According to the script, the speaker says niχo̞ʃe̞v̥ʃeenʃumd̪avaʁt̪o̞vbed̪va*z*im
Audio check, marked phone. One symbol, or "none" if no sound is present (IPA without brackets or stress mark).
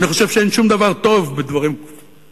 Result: ʁ